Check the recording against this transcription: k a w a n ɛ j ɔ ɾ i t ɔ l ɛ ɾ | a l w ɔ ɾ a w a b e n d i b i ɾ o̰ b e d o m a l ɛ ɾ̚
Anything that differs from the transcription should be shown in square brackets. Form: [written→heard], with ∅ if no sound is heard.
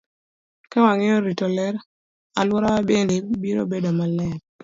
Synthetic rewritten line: k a w a [n→ŋ] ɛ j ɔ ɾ i t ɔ l ɛ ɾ | a l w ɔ ɾ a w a b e n d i b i ɾ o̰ b e d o m a l ɛ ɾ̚